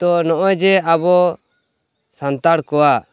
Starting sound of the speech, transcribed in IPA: t̪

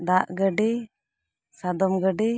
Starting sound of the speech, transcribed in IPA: d̪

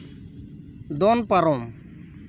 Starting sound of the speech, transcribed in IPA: d̪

